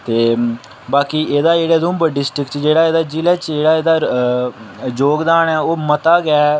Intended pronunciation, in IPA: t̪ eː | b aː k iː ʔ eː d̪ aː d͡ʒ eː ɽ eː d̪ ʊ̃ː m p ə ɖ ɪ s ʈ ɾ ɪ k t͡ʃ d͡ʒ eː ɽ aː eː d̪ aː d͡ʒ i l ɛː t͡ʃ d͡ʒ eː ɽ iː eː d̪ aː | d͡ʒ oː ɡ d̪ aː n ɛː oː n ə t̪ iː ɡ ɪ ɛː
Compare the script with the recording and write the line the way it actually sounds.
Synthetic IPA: t̪ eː | b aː k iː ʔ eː d̪ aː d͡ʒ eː ɽ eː d̪ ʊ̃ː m b ə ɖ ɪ s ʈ ɾ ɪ k t͡ʃ d͡ʒ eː ɽ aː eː d̪ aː d͡ʒ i l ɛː t͡ʃ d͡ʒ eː ɽ aː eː d̪ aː | d͡ʒ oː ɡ d̪ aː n ɛː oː m ə t̪ aː ɡ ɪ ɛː